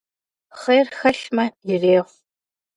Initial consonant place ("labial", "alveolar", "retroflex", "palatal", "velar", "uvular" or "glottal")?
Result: uvular